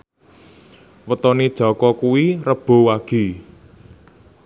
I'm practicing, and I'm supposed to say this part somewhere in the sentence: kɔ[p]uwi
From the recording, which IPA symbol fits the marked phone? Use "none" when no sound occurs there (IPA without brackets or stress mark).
k